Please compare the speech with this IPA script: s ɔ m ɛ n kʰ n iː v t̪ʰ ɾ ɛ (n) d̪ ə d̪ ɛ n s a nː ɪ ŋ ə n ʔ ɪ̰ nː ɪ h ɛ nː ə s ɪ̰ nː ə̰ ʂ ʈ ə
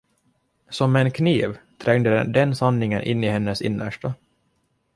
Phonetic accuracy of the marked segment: incorrect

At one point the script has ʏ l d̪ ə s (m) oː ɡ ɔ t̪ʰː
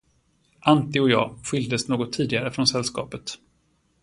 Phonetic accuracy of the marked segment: incorrect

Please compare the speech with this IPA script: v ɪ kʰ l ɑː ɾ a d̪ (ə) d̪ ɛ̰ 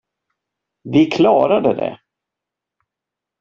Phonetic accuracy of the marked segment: correct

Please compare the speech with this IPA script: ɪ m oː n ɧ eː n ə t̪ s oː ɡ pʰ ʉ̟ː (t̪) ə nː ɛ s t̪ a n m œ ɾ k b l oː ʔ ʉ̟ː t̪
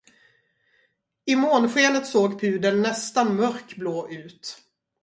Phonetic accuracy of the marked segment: incorrect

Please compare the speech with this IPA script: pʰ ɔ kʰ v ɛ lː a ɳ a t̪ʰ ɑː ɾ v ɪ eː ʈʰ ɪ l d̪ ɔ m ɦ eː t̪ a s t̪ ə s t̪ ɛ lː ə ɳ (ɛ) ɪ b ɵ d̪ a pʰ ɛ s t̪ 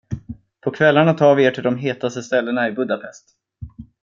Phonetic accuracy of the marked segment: incorrect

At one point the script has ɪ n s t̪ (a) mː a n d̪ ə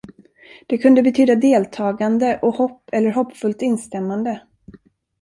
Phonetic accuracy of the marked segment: incorrect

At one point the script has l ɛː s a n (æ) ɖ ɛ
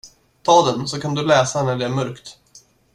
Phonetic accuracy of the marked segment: correct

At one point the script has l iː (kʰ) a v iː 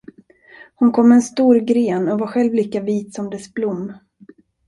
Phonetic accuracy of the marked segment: incorrect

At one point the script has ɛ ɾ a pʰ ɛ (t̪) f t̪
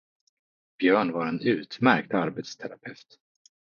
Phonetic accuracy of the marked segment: incorrect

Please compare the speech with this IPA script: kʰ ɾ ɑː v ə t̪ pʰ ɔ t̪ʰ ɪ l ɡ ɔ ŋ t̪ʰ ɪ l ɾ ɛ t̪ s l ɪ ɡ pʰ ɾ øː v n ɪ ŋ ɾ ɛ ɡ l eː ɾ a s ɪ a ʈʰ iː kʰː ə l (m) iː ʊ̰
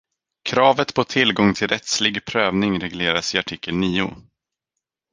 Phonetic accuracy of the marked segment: incorrect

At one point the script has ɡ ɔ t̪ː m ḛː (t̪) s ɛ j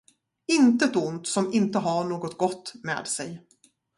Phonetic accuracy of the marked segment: incorrect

